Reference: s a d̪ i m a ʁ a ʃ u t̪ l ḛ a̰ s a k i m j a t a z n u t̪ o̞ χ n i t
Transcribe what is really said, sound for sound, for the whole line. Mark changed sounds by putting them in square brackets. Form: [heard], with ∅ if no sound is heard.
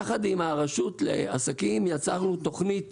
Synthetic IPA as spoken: [χ] a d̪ i m a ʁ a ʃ u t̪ l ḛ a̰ s a k i m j a [t͡s] a [ʁ] n u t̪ o̞ χ n i t